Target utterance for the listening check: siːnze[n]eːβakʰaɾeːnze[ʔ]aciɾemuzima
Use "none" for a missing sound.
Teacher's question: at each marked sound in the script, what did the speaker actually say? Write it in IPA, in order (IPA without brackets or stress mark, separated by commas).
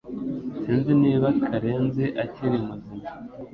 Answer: n, ʔ